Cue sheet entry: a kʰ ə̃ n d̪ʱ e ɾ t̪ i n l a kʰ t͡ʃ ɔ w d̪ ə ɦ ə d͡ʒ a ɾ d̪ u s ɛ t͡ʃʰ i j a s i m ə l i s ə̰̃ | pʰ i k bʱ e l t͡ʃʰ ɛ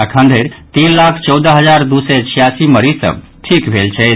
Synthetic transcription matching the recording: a kʰ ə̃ n d̪ʱ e ɾ t̪ i n l a kʰ t͡ʃ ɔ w d̪ ə ɦ ə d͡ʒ a ɾ d̪ u s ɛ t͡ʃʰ i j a s i m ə ɾ i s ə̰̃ | ʈʰ i k bʱ e l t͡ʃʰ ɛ